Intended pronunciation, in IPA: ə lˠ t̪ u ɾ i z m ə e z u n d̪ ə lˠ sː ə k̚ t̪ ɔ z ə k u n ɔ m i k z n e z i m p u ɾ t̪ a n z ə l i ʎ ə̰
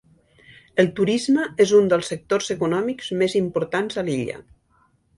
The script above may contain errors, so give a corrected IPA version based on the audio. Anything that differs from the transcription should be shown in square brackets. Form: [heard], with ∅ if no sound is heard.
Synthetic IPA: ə lˠ t̪ u ɾ i z m ə e z u n d̪ ə lˠ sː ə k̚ t̪ [o] z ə k u n ɔ m i k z [m] e z i m p u ɾ t̪ a n z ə l i ʎ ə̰